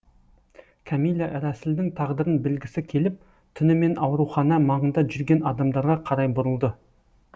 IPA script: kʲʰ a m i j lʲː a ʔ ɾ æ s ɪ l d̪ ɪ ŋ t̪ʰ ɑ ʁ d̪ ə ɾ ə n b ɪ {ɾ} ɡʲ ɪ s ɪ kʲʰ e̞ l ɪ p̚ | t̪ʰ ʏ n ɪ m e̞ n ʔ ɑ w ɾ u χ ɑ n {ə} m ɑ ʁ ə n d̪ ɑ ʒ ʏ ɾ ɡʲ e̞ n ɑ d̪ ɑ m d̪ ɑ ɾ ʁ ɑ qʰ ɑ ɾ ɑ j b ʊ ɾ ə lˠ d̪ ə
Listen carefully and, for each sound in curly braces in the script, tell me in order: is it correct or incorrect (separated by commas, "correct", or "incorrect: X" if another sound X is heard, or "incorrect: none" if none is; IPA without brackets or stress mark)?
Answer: incorrect: l, incorrect: ɑ